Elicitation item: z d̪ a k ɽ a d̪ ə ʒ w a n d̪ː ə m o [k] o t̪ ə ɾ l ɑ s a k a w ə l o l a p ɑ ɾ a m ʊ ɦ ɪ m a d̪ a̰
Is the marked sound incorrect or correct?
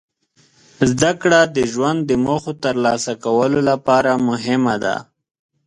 incorrect